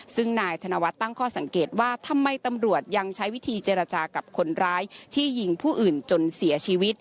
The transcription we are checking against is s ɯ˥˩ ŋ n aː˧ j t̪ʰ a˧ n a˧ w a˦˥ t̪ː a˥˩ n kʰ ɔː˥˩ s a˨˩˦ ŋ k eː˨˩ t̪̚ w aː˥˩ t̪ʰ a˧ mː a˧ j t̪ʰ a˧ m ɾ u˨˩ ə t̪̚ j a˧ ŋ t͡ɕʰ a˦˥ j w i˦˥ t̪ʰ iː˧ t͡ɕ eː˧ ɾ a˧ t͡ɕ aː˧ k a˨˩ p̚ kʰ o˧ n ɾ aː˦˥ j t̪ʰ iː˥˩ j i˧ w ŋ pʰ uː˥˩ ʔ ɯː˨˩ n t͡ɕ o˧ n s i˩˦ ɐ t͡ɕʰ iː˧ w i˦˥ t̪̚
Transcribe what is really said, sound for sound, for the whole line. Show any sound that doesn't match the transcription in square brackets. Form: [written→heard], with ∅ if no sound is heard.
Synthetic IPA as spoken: s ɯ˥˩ ŋ n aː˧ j t̪ʰ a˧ n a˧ w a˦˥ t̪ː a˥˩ [n→ŋ] kʰ ɔː˥˩ s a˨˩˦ ŋ k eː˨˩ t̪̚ w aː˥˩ t̪ʰ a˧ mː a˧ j [t̪ʰ→t̪] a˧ m ɾ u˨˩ ə t̪̚ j a˧ ŋ t͡ɕʰ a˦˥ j w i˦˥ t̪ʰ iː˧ t͡ɕ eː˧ ɾ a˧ t͡ɕ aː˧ k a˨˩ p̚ kʰ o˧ n ɾ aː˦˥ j t̪ʰ iː˥˩ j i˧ [w→∅] ŋ pʰ uː˥˩ ʔ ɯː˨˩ n t͡ɕ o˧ n s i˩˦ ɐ t͡ɕʰ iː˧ w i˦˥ t̪̚